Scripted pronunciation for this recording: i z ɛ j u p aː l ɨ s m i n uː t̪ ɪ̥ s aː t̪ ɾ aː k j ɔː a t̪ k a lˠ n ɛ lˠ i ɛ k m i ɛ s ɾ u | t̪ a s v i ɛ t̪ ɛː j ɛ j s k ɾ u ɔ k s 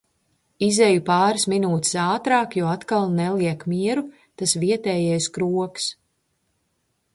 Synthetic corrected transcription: i z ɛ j u p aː ɾ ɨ s m i n uː t̪ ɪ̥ s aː t̪ ɾ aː k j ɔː a t̪ k a lˠ n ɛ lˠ i ɛ k m i ɛ ɾ u | t̪ a s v i ɛ t̪ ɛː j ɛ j s k ɾ u ɔ k s